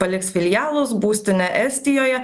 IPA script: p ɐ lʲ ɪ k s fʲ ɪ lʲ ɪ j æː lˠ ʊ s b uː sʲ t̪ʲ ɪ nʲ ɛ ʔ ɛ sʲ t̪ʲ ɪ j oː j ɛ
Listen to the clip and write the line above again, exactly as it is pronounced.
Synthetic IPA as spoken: p ɐ lʲ ɪ k s fʲ ɪ lʲ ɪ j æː lˠ ʊ s b uː sʲ t̪ʲ ɪ nʲ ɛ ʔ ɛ sʲ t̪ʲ ɪ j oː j ɛ